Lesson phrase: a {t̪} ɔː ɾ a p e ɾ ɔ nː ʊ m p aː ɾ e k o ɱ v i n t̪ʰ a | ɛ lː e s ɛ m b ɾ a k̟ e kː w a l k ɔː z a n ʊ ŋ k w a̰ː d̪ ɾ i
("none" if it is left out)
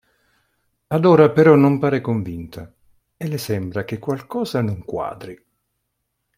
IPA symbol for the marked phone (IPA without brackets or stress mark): d̪